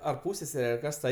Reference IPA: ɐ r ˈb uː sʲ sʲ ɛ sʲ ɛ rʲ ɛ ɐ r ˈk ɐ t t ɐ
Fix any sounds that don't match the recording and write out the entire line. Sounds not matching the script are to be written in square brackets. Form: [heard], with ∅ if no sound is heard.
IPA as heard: ɐ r [ˈp] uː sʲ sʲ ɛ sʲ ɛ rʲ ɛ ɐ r ˈk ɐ [s] t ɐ